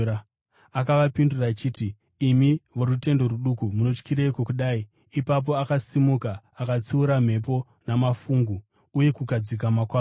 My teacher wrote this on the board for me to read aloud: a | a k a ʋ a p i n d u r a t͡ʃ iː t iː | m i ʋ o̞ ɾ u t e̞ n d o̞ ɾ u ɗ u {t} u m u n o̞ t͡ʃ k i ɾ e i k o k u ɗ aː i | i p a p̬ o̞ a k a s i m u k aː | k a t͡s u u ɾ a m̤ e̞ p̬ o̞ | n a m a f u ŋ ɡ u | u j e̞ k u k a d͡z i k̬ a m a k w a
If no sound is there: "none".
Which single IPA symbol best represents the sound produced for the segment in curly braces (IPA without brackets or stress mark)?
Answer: k